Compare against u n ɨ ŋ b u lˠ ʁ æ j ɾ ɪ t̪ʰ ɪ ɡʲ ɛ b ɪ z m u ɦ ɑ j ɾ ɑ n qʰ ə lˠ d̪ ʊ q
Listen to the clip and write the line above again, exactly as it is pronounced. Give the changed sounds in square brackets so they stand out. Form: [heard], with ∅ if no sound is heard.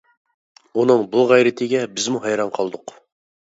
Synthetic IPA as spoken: u n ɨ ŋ b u lˠ ʁ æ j ɾ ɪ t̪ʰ ɪ ɡʲ ɛ b ɪ z m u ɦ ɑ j ɾ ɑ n qʰ [ɑ] lˠ d̪ ʊ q